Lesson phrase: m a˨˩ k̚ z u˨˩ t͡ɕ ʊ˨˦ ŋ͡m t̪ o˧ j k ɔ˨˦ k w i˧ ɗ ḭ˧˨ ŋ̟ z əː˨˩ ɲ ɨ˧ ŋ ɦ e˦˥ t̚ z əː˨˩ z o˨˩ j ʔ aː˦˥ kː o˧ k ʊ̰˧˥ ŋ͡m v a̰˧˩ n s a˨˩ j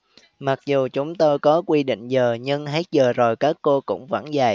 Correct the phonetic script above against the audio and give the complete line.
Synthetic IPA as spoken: m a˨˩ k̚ z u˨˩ t͡ɕ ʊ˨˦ ŋ͡m t̪ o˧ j k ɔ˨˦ k w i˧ ɗ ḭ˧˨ ŋ̟ z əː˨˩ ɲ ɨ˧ ŋ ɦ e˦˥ t̚ z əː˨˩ z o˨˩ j k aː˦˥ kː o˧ k ʊ̰˧˥ ŋ͡m v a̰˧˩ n z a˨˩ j